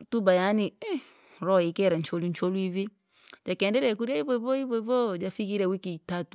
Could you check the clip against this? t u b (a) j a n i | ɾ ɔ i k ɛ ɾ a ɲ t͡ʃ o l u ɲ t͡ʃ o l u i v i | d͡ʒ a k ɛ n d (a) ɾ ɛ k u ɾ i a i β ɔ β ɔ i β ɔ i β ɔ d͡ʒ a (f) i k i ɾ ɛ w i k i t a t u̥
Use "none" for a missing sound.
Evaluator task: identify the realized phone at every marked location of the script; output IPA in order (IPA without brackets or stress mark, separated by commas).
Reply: a, ɛ, f